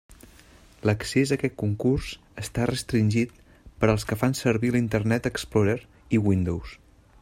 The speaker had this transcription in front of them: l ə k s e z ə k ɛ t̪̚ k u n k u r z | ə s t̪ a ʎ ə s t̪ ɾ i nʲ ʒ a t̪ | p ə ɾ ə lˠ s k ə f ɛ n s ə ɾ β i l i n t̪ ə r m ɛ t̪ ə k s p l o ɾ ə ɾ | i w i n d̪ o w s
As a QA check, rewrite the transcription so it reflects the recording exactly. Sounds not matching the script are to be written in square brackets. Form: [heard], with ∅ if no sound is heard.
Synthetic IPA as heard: l ə k s e z ə k ɛ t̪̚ k u [ŋ] k u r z | ə s t̪ a [r] ə s t̪ ɾ i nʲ ʒ [i] t̪ | p ə ɾ ə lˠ s k ə f [a] n s ə ɾ β i l i n t̪ ə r [n] ɛ t̪ ə k s p l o ɾ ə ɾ | i w i n d̪ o w s

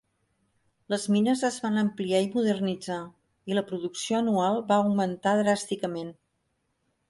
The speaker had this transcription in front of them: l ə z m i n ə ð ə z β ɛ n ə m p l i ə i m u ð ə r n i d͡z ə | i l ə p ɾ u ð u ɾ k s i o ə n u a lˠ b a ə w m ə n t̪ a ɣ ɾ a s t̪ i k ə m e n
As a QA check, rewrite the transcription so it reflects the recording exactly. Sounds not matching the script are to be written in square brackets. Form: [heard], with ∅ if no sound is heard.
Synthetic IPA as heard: l ə z m i n ə [z] ə z β [a] n ə m p l i [a] i m u ð ə r n i d͡z [a] | i l ə p ɾ u ð u [∅] k s i o ə n u a lˠ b a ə w m ə n t̪ a [ð] ɾ a s t̪ i k ə m e n

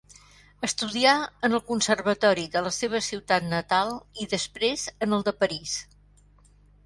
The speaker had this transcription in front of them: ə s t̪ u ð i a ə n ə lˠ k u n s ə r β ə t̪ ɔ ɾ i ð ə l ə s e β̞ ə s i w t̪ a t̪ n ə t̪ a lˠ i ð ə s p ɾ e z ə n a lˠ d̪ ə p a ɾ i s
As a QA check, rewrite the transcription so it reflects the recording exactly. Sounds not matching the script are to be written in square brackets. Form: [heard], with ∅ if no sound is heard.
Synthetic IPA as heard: ə s t̪ u ð i a ə n ə lˠ k u n s ə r β ə t̪ ɔ ɾ i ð ə l ə s e β̞ ə s i w t̪ a t̪ n ə t̪ a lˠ i ð ə s p ɾ e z ə n [ə] lˠ d̪ ə p [ə] ɾ i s

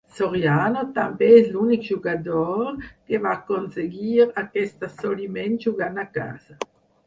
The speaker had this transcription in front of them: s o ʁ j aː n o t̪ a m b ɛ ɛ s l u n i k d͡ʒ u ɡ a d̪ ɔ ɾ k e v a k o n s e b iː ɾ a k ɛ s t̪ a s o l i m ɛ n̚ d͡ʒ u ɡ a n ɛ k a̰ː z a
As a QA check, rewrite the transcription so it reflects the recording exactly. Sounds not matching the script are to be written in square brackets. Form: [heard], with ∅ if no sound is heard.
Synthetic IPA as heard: s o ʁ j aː n o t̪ a m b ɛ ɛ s l u n i k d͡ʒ u ɡ a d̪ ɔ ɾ k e v a k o n s e [ɡ] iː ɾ a k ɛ s t̪ a s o l i m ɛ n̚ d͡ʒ u ɡ a n [a] k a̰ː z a

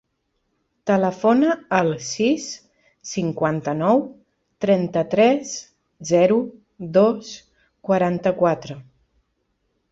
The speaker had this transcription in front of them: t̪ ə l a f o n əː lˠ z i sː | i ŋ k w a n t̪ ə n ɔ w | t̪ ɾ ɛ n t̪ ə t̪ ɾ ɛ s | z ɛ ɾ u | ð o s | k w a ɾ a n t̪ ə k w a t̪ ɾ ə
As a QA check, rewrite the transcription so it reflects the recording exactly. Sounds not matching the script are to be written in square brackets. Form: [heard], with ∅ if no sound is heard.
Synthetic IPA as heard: t̪ ə l [ə] f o n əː lˠ [s] i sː | i ŋ k w a n t̪ ə n ɔ w | t̪ ɾ ɛ n t̪ ə t̪ ɾ ɛ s | z ɛ ɾ u | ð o s | k w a ɾ a n t̪ ə k w a t̪ ɾ ə

